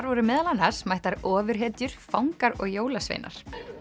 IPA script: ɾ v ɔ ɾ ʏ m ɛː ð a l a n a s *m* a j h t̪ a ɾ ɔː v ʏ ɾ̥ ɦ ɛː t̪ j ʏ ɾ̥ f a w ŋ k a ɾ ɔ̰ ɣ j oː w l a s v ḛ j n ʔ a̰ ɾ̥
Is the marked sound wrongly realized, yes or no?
no